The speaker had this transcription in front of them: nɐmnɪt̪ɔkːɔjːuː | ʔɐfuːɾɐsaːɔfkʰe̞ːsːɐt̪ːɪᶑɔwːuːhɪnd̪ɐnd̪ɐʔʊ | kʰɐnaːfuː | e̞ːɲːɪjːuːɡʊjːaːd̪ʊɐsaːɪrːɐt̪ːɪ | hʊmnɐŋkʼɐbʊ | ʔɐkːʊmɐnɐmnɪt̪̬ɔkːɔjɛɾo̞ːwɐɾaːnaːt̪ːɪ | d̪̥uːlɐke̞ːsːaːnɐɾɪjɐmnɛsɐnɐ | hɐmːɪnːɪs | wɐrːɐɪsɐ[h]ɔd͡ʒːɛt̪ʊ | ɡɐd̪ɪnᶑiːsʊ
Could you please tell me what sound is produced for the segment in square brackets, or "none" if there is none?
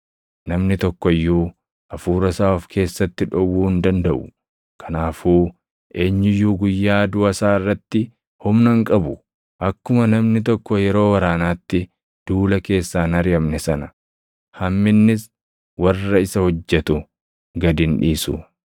h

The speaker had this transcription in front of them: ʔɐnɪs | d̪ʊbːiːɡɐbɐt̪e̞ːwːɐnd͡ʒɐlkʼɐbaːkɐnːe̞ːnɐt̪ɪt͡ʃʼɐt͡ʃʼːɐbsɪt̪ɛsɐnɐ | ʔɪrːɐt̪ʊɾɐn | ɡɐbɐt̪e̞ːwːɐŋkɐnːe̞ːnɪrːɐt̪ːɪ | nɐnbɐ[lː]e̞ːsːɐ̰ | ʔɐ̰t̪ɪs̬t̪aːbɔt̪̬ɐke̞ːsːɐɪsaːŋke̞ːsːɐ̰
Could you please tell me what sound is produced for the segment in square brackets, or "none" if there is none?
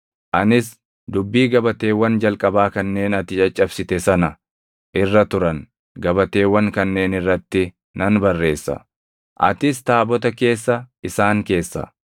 rː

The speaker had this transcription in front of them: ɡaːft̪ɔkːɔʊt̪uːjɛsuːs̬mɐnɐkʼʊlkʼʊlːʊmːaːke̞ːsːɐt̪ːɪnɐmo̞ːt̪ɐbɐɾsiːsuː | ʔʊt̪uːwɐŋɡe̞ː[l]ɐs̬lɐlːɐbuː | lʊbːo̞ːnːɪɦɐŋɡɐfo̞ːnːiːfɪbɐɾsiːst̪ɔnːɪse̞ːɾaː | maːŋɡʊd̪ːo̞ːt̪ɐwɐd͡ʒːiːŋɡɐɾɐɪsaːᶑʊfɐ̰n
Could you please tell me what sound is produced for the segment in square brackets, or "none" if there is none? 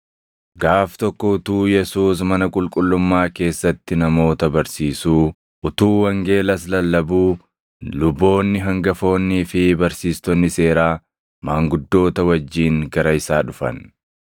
l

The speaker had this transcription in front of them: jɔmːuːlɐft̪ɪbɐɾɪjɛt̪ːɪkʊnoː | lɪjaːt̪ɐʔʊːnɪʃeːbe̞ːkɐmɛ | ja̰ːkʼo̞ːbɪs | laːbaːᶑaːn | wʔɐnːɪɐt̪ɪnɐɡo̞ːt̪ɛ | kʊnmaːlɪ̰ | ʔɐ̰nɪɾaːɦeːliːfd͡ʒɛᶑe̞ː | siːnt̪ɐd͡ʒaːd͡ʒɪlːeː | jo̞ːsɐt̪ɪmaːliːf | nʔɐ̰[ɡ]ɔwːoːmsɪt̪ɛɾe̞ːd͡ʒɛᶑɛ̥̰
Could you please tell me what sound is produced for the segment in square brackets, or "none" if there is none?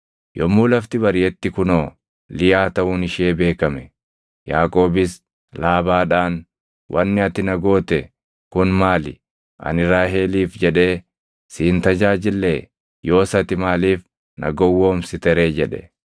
ɡ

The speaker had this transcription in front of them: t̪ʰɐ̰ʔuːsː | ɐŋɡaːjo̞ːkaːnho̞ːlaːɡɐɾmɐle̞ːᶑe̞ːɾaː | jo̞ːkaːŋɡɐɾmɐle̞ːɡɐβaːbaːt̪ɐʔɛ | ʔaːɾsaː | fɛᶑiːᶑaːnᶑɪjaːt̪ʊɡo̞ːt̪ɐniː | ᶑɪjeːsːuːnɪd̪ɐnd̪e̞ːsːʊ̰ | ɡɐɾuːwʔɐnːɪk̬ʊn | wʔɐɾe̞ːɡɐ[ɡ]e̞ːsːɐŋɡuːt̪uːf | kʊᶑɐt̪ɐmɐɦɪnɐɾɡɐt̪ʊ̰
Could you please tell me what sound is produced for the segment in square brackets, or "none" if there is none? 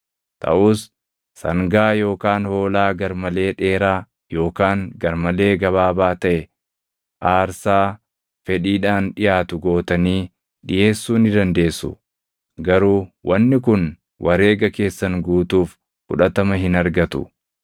k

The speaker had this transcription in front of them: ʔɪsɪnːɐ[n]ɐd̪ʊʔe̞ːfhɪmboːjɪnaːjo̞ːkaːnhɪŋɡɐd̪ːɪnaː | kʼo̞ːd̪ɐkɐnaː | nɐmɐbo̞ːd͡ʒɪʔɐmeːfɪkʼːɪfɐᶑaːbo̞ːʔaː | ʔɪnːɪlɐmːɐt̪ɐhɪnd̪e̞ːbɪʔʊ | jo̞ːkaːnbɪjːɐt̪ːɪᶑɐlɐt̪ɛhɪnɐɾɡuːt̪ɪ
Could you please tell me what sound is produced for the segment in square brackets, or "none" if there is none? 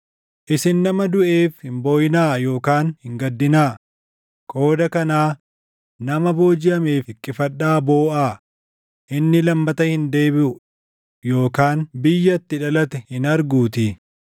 m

